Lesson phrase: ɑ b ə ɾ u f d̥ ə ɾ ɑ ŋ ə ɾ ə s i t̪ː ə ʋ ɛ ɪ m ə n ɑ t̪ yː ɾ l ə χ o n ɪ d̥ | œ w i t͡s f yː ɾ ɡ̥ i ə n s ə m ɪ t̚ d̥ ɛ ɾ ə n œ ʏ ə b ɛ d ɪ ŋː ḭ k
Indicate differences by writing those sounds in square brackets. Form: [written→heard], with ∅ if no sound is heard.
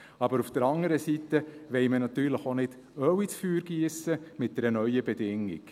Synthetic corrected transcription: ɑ b ə ɾ u f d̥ ə ɾ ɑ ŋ ə ɾ ə s i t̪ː ə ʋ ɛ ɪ m ə n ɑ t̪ yː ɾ l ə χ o n ɪ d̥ | œ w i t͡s f yː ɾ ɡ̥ i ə [n→∅] s ə m ɪ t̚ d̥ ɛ ɾ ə n œ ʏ ə b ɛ d ɪ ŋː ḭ k